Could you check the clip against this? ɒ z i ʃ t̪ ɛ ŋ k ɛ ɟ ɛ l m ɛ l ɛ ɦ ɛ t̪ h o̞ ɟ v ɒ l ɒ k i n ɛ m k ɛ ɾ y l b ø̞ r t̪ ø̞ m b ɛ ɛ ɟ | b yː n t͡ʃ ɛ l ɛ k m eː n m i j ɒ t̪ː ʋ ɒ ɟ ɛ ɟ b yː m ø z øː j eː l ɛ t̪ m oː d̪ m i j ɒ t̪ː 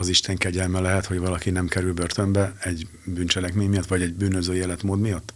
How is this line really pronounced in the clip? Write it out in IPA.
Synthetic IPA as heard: ɒ z i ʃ t̪ ɛ ŋ k ɛ ɟ ɛ l m ɛ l ɛ ɦ ɛ t̪ h o̞ ɟ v ɒ l ɒ k i n ɛ m k ɛ ɾ y l b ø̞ r t̪ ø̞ m b ɛ ɛ ɟ | b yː n t͡ʃ ɛ l ɛ k m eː ɲ m i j ɒ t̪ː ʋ ɒ ɟ ɛ ɟ b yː n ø z øː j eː l ɛ t̪ m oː d̪ m i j ɒ t̪ː